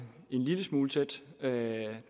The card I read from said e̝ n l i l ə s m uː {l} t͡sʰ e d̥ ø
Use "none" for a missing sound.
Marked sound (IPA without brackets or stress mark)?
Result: l